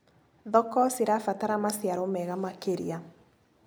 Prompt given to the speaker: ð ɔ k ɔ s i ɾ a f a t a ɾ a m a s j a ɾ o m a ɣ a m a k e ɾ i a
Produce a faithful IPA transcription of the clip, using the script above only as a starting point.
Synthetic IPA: ð ɔ k ɔ s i ɾ a f a t a ɾ a m a s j a ɾ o m ɛ ɣ a m a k e ɾ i a